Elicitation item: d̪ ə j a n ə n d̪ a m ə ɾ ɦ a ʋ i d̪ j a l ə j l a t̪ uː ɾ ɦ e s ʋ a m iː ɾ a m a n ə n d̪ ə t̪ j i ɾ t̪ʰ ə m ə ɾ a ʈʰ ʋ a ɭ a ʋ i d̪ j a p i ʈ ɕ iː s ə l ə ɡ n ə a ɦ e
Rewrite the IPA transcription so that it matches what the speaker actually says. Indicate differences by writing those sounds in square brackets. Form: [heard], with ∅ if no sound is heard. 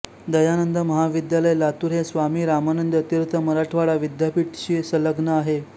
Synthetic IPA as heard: d̪ ə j a n ə n d̪ [ə] m ə [∅] ɦ a ʋ i d̪ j a l ə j l a t̪ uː ɾ ɦ e s ʋ a m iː ɾ a m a n ə n d̪ ə t̪ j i ɾ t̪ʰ ə m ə ɾ a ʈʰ ʋ a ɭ a ʋ i d̪ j a p i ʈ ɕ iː s ə l ə ɡ n ə a ɦ e